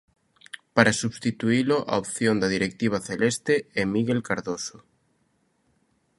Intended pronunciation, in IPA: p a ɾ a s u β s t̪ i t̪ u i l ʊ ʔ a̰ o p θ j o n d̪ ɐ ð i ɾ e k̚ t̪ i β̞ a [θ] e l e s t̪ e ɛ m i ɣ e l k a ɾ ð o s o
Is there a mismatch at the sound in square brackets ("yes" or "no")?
no